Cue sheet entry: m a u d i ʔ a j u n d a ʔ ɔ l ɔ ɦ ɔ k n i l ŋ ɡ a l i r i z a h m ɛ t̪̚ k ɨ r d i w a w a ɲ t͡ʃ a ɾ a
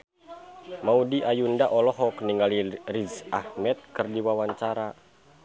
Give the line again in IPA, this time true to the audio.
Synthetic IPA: m a u d i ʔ a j u n d a ʔ ɔ l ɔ ɦ ɔ k n i ŋ ɡ a l i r i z a h m ɛ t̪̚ k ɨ r d i w a w a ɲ t͡ʃ a ɾ a

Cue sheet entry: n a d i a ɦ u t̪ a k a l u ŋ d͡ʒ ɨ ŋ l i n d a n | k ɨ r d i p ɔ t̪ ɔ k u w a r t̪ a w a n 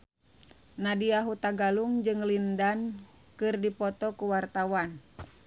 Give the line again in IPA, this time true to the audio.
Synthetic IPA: n a d i a ɦ u t̪ a ɡ a l u ŋ d͡ʒ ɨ ŋ l i n d a n | k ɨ r d i p ɔ t̪ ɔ k u w a r t̪ a w a n

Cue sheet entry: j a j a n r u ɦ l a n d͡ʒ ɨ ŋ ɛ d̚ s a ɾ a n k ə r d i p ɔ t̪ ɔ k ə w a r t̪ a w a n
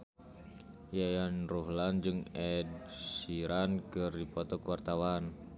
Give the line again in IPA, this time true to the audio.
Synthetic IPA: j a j a n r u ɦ l a n d͡ʒ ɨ ŋ ɛ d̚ s i ɾ a n k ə r d i p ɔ t̪ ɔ k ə w a r t̪ a w a n

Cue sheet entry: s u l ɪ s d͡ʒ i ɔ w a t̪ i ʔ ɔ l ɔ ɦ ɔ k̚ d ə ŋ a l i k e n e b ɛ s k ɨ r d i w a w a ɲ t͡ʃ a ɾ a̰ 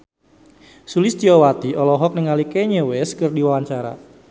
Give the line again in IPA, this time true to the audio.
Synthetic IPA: s u l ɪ s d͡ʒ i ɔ w a t̪ i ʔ ɔ l ɔ ɦ ɔ k̚ n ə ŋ a l i k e ɲ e w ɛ s k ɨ r d i w a w a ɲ t͡ʃ a ɾ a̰

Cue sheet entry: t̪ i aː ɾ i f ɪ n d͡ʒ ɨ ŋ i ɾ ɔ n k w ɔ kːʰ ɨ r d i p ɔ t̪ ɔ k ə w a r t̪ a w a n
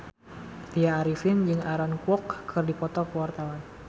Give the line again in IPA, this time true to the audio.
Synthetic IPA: t̪ i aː ɾ i f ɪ n d͡ʒ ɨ ŋ a ɾ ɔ n k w ɔ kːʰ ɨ r d i p ɔ t̪ ɔ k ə w a r t̪ a w a n

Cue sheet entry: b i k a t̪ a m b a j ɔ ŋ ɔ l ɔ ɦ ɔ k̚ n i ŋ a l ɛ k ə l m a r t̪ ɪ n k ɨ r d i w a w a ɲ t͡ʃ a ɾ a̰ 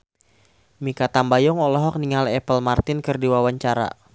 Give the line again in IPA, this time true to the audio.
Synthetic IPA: m i k a t̪ a m b a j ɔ ŋ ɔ l ɔ ɦ ɔ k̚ n i ŋ a l ɛ p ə l m a r t̪ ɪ n k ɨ r d i w a w a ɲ t͡ʃ a ɾ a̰

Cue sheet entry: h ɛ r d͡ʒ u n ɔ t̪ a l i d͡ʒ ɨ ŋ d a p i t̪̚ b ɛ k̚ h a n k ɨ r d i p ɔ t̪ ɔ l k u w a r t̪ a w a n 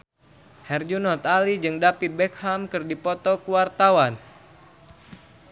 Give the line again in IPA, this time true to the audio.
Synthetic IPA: h ɛ r d͡ʒ u n ɔ t̪ a l i d͡ʒ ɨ ŋ d a p i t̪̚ b ɛ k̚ h a m k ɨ r d i p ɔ t̪ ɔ k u w a r t̪ a w a n

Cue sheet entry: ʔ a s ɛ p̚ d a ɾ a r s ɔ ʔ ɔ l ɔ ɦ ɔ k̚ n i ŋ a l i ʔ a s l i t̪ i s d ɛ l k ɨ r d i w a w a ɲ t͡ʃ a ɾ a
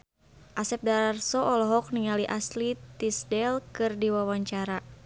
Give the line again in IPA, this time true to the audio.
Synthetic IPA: ʔ a s ɛ p̚ d a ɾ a r s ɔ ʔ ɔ l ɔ ɦ ɔ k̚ n i ŋ a l i ʔ a s l i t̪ i s d ɛ l k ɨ r d i w a w a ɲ t͡ʃ a ɾ a

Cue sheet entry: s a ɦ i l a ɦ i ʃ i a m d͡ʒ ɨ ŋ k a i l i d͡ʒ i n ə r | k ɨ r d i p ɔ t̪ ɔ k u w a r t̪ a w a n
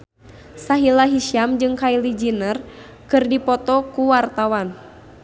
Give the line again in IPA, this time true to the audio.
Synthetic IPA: s a ɦ i l a ɦ i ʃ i a m d͡ʒ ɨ ŋ k a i l i d͡ʒ i n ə r | k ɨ r d i p ɔ t̪ ɔ k u w a r t̪ a w a n

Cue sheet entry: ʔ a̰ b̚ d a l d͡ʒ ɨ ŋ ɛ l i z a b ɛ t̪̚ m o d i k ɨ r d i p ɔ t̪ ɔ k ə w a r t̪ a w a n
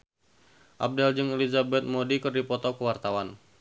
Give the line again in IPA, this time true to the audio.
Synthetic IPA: ʔ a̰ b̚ d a l d͡ʒ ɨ ŋ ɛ l i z a b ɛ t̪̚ m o d i k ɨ r d i p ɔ t̪ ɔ k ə w a r t̪ a w a n

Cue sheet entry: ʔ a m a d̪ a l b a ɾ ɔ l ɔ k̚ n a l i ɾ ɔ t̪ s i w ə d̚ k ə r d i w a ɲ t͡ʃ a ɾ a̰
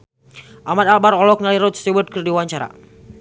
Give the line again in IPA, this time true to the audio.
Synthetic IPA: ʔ a m a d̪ a l b a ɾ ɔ l ɔ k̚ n a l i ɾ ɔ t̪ s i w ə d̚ k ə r d i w a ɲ t͡ʃ a ɾ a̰

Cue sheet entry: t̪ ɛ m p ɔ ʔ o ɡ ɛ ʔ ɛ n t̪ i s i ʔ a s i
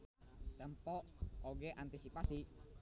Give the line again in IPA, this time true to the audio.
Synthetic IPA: t̪ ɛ m p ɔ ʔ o ɡ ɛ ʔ a n t̪ i s i p a s i

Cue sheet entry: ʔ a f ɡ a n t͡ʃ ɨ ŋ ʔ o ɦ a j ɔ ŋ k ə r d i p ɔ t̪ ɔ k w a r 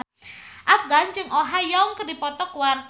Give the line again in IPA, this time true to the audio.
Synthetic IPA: ʔ a f ɡ a n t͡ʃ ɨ ŋ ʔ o ɦ a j ɔ ŋ k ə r d i p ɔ t̪ ɔ k w a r

